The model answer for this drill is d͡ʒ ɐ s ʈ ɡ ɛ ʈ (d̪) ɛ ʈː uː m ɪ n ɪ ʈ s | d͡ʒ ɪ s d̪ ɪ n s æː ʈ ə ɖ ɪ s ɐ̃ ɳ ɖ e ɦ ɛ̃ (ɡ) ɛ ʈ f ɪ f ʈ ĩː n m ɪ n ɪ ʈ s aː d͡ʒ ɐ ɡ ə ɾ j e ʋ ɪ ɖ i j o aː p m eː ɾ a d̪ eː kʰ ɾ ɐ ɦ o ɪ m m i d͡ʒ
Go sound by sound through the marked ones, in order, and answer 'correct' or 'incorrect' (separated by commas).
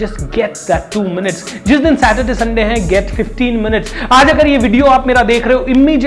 correct, correct